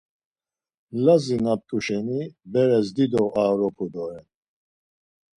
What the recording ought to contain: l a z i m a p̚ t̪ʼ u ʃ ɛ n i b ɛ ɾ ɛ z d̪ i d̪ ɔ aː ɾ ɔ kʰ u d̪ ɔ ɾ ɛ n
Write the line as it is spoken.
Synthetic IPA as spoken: l a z i n a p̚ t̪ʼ u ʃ ɛ n i b ɛ ɾ ɛ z d̪ i d̪ ɔ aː ɾ ɔ pʰ u d̪ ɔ ɾ ɛ n